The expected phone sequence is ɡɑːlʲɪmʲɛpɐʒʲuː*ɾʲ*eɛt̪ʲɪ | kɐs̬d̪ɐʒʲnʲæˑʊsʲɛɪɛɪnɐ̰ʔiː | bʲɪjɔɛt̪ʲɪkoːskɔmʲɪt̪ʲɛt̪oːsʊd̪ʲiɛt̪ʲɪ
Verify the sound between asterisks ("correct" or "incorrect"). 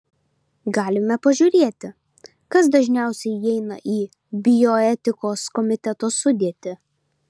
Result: correct